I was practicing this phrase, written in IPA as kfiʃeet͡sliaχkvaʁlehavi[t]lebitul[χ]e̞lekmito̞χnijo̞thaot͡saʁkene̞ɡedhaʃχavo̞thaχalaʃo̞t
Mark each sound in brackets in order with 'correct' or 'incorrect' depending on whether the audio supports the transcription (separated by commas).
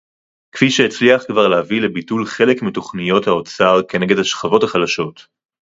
incorrect, correct